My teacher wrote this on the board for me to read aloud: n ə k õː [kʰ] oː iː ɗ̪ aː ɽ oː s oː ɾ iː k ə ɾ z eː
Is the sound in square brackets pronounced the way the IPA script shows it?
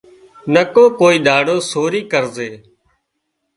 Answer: no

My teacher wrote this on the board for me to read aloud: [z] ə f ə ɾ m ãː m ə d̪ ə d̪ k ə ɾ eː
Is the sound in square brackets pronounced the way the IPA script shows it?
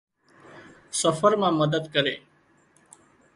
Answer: no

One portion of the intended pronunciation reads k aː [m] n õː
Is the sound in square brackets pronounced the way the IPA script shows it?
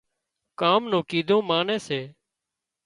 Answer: yes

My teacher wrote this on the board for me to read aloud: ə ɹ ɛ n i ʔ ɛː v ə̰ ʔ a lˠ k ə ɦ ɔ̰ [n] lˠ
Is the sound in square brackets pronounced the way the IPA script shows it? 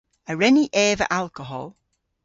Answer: no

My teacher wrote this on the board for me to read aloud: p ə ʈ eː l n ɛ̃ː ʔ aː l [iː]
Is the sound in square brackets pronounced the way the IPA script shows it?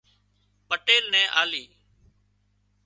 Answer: yes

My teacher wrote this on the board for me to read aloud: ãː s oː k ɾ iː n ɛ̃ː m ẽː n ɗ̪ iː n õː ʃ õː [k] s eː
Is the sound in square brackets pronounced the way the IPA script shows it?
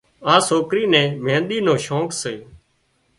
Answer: yes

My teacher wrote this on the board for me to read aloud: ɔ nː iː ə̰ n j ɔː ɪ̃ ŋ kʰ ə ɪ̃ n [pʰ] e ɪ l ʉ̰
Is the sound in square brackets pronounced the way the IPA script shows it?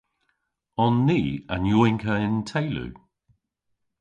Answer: no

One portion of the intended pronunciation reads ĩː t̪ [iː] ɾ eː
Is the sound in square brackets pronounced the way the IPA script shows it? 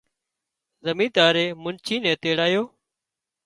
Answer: no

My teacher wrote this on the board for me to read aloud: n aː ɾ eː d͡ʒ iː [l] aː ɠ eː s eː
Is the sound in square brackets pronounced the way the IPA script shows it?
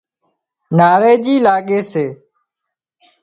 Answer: yes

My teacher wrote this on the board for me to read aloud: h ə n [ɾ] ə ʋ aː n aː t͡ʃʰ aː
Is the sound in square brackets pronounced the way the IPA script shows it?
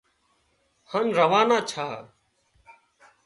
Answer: yes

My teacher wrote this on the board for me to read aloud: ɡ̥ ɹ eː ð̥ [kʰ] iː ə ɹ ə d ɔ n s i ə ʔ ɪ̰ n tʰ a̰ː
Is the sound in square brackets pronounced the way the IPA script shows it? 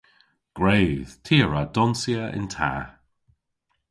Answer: no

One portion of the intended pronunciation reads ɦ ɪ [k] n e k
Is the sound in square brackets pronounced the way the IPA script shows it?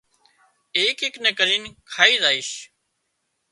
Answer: yes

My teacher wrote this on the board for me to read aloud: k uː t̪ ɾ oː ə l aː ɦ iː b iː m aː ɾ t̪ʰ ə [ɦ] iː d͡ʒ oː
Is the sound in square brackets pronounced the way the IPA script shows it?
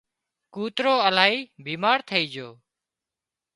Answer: no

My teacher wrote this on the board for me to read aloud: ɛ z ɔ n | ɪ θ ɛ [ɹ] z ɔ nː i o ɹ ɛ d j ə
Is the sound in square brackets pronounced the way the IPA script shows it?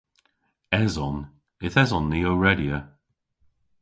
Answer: no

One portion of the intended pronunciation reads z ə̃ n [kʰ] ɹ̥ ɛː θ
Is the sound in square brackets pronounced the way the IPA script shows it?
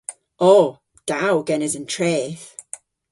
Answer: no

